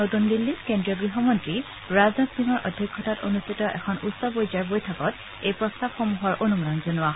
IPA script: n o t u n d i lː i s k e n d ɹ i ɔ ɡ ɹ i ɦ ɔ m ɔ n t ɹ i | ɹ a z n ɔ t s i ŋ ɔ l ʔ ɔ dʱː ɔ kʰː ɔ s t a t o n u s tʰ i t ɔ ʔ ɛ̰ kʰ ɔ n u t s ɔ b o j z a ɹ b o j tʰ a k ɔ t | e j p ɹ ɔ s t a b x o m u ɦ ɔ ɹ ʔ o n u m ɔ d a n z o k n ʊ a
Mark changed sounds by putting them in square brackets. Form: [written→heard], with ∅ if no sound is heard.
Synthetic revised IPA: n o t u n d i lː i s k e n d ɹ i ɔ ɡ ɹ i ɦ ɔ m ɔ n t ɹ i | ɹ a z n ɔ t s i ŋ ɔ [l→ɹ] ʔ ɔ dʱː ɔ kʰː ɔ [s→∅] t a t o n u s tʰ i t ɔ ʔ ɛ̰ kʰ ɔ n u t s ɔ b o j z a ɹ b o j tʰ a k ɔ t | e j p ɹ ɔ s t a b x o m u ɦ ɔ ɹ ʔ o n u m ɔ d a n z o [k→∅] n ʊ a